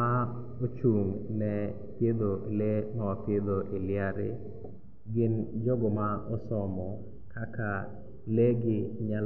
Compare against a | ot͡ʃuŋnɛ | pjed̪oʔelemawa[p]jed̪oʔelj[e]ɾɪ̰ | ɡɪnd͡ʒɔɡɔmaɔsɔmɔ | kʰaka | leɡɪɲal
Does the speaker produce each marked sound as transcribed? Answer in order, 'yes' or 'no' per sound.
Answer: yes, no

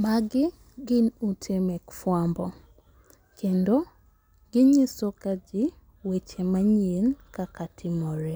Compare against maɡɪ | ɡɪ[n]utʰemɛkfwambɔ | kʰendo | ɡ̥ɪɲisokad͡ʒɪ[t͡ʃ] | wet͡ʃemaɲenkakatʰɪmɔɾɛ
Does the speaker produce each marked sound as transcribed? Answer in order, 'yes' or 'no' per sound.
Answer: yes, no

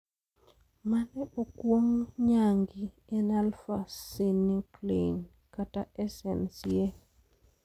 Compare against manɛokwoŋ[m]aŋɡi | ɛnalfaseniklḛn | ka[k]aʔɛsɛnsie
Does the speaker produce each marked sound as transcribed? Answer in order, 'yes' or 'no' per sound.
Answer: no, no

